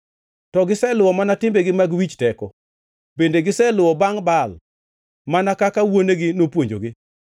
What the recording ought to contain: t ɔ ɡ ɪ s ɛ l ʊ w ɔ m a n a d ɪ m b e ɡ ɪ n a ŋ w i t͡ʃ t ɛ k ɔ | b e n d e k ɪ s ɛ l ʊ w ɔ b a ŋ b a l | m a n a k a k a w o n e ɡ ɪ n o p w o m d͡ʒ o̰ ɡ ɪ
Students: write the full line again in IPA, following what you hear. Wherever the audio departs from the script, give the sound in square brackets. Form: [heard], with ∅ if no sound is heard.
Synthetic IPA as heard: t ɔ ɡ ɪ s ɛ l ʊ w ɔ m a n a [t] ɪ m b e ɡ ɪ [m] a [ɡ] w i t͡ʃ t ɛ k ɔ | b e n d e [ɡ] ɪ s ɛ l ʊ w ɔ b a ŋ b a l | m a n a k a k a w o n e ɡ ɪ n o p w o [ɲ] d͡ʒ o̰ ɡ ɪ